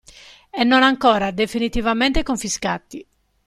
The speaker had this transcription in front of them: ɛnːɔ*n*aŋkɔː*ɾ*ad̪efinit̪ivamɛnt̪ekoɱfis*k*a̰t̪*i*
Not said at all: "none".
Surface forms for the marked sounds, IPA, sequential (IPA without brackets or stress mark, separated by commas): n, ɾ, k, i